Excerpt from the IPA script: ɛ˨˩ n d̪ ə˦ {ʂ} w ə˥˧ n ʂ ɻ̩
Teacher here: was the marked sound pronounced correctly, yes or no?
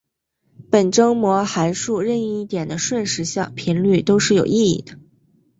yes